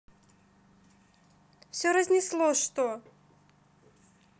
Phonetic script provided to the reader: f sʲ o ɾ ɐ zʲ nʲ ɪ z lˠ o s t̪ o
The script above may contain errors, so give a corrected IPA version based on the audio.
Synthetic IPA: f sʲ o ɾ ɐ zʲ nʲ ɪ s lˠ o ʂ t̪ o